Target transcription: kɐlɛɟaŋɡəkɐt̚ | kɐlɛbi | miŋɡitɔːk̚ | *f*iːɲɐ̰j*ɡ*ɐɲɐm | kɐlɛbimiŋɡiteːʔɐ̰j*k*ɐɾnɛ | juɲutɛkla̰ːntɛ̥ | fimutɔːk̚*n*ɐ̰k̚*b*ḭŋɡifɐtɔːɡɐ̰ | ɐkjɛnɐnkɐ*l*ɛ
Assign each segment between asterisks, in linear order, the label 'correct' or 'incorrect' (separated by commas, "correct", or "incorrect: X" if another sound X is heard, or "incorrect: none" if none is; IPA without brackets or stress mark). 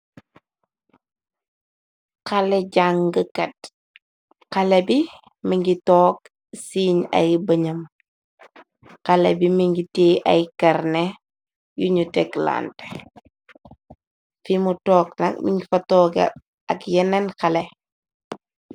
incorrect: s, incorrect: b, correct, correct, incorrect: m, correct